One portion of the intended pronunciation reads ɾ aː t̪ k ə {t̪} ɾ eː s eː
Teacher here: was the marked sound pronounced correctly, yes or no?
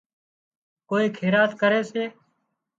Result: no